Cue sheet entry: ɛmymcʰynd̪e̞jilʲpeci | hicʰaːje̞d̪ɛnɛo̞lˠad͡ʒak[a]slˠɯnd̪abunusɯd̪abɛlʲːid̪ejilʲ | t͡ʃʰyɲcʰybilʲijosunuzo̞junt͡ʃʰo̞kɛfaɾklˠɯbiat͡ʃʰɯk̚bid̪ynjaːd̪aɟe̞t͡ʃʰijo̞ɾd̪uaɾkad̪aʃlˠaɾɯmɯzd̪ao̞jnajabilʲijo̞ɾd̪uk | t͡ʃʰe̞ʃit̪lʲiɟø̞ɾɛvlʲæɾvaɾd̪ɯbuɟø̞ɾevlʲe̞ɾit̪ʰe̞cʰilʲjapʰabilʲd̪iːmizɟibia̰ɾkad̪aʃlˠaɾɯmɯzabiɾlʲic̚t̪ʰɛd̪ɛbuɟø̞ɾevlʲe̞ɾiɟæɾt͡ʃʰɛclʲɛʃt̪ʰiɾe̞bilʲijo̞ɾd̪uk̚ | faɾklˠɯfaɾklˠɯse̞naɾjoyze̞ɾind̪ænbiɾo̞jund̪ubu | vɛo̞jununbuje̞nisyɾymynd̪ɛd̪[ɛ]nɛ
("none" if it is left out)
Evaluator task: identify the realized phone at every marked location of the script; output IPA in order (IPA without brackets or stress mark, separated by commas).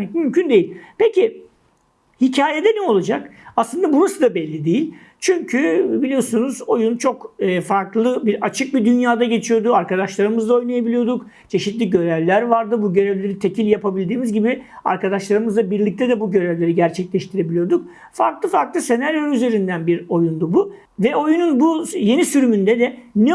a, ɛ